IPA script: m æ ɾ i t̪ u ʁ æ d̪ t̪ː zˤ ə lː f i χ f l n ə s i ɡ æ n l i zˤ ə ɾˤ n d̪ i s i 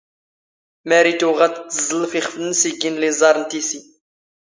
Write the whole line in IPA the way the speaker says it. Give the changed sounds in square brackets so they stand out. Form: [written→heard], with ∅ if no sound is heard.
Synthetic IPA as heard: m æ ɾ i t̪ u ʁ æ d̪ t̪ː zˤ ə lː f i χ f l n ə s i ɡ [æ→i] n l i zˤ [ə→ɑ] ɾˤ n [d̪→t̪] i s i